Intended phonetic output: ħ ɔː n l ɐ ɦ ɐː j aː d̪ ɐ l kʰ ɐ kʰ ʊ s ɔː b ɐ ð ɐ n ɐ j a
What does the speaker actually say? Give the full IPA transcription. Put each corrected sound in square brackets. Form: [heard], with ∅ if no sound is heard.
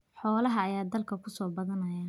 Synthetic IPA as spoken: ħ ɔː [∅] l ɐ ɦ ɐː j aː d̪ ɐ l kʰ ɐ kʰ ʊ s ɔː b ɐ ð ɐ n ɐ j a